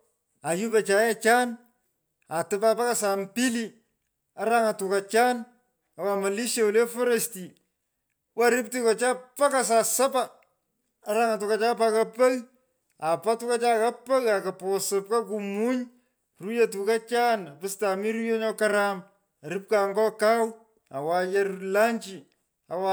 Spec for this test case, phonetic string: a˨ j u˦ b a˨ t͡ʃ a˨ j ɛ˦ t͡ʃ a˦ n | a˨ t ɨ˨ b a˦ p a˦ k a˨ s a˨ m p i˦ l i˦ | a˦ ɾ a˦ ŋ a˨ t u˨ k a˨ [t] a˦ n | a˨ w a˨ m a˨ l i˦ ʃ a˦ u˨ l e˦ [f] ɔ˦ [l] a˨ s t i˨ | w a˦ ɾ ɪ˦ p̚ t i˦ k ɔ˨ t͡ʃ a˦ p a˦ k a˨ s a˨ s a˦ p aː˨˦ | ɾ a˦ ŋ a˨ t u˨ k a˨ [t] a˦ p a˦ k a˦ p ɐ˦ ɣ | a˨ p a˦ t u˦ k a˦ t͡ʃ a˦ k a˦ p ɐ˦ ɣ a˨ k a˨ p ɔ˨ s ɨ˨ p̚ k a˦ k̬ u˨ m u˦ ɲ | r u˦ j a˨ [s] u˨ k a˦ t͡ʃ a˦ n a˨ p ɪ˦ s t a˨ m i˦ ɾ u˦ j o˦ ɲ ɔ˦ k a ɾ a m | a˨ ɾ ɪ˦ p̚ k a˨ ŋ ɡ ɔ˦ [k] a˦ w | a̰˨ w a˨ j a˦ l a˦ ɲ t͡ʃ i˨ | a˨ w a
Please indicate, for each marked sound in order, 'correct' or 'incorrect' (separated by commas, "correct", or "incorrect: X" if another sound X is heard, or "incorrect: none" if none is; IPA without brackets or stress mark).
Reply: incorrect: t͡ʃ, correct, incorrect: ɾ, incorrect: t͡ʃ, incorrect: t, correct